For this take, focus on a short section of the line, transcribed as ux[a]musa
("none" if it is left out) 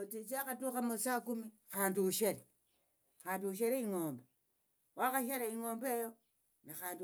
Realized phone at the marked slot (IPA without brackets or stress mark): a